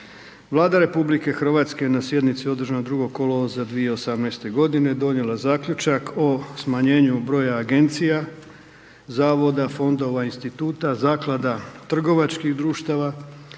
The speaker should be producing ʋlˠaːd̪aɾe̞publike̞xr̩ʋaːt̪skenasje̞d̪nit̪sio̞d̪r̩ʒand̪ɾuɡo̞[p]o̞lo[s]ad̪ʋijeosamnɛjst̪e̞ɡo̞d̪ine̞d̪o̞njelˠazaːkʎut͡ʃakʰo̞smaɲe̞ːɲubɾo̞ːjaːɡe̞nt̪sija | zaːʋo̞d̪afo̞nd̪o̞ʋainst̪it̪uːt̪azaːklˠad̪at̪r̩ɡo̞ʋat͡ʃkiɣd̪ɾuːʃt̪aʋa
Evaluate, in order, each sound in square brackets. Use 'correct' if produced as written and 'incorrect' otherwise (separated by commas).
incorrect, incorrect